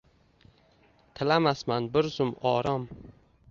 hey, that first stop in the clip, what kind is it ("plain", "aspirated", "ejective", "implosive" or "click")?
aspirated